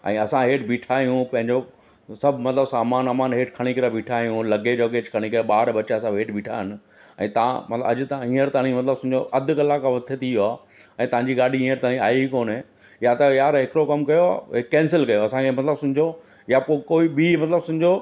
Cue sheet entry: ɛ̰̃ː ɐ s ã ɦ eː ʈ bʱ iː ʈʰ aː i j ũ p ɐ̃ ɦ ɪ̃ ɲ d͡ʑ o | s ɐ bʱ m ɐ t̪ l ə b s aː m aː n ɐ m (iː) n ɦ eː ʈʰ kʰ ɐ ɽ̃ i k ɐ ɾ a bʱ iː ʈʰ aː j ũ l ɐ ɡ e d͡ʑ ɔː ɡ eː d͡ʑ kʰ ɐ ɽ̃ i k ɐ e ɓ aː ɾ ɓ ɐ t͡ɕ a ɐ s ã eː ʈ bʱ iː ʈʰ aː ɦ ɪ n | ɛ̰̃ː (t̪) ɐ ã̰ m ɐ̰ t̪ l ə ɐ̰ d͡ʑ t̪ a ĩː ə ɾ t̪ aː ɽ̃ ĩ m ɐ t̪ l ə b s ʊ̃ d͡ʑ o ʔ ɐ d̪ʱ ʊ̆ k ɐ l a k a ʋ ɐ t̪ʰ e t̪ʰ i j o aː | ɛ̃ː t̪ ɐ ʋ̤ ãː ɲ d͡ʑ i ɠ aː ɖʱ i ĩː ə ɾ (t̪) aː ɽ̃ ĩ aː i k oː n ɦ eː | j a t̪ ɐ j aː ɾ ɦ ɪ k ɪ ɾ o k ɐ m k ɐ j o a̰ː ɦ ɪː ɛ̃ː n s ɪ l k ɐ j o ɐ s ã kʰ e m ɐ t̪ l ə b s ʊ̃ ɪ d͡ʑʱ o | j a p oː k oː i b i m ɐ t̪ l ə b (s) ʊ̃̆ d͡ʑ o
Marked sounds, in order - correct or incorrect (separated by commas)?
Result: incorrect, correct, correct, correct